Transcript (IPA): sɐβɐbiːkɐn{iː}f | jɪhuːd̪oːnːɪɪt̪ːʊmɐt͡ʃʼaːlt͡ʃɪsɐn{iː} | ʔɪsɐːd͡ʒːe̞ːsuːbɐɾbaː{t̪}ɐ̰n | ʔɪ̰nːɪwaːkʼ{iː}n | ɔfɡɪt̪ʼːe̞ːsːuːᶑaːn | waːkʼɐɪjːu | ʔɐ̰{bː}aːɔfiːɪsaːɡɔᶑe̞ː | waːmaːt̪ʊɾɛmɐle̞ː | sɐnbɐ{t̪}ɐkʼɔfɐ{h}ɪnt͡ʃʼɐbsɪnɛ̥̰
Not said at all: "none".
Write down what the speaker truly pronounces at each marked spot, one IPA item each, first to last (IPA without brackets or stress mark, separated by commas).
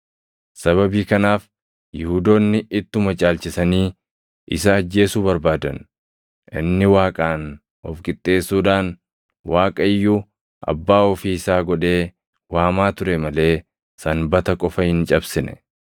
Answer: aː, iː, d̪, aː, bː, t̪, h